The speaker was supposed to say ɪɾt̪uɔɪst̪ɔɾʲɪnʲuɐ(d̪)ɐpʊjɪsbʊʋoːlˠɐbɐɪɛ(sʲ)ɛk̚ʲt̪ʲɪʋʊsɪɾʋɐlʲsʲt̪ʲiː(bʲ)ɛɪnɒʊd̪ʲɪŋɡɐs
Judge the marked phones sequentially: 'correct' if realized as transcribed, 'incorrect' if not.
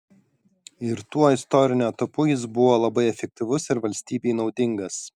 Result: incorrect, incorrect, correct

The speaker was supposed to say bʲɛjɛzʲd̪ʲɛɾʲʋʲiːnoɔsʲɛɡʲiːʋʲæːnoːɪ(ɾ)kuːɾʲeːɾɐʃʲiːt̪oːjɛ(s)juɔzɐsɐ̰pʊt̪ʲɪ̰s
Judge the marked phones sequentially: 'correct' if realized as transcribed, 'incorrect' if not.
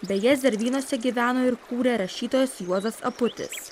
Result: correct, correct

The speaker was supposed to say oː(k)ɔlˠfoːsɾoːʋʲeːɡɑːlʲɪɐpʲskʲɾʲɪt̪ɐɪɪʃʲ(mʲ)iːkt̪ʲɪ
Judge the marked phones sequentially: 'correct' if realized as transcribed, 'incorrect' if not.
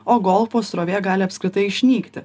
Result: incorrect, incorrect

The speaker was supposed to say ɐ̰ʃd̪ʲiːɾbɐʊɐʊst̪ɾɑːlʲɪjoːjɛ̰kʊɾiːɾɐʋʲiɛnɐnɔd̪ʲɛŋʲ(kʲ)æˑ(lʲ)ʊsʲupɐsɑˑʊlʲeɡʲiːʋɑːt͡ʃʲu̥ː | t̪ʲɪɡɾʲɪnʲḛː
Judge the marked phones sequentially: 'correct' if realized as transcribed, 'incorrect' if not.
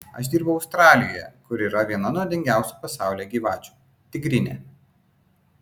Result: incorrect, incorrect

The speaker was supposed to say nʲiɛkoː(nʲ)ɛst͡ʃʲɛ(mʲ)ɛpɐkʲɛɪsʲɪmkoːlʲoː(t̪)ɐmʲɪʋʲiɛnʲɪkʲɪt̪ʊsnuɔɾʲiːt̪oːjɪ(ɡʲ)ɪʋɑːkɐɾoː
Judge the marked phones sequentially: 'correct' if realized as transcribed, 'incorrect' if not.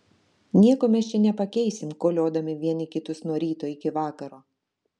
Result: incorrect, incorrect, incorrect, incorrect

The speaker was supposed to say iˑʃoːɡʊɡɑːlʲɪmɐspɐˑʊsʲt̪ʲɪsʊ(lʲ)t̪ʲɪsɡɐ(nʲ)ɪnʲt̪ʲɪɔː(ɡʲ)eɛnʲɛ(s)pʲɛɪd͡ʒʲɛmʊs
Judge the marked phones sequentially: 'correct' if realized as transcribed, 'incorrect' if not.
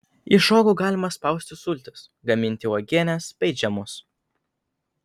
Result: correct, incorrect, correct, correct

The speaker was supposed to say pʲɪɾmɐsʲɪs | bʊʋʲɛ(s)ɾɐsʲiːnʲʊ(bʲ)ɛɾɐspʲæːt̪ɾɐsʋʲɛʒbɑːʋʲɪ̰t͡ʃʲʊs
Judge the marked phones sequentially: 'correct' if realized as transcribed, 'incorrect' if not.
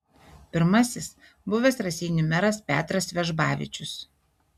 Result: correct, incorrect

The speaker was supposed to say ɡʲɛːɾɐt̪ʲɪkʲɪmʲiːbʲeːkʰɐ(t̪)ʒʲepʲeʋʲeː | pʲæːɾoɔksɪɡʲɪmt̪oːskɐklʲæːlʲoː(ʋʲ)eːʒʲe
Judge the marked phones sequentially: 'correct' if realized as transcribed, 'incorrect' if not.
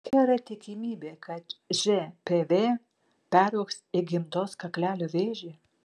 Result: correct, correct

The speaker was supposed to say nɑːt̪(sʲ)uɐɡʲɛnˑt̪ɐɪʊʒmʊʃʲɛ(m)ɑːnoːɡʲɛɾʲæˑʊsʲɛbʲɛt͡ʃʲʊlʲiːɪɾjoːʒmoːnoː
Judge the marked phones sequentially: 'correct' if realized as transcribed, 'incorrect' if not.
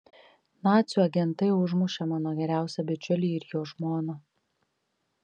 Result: correct, correct

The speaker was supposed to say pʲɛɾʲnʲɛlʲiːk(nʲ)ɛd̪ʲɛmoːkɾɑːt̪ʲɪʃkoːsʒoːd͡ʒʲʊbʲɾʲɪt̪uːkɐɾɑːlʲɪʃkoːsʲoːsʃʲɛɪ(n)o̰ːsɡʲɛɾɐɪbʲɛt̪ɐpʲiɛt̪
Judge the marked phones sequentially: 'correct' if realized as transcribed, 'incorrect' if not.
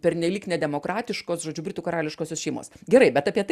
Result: correct, incorrect

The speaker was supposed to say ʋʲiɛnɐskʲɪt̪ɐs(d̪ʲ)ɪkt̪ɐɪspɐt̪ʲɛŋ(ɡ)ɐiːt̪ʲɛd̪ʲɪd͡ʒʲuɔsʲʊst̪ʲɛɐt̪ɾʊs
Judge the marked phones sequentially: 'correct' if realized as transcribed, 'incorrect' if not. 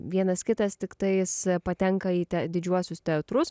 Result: incorrect, incorrect

